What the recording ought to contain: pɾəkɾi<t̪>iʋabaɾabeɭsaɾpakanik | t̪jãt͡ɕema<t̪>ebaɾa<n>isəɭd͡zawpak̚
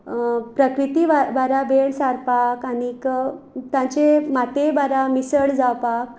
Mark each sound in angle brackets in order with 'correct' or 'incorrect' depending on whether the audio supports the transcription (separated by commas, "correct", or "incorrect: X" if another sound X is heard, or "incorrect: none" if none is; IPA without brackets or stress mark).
correct, correct, incorrect: m